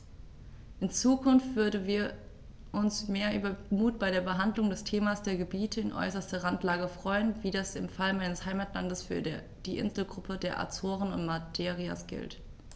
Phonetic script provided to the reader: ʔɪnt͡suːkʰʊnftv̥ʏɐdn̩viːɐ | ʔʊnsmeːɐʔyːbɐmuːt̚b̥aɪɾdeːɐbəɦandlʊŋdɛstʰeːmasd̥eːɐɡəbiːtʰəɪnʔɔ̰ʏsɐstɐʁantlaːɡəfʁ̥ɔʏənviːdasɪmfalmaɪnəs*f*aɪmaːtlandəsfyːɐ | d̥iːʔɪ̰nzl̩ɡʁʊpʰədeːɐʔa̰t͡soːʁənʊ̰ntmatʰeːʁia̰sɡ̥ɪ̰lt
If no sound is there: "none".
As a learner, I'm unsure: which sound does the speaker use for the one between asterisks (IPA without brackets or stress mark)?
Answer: h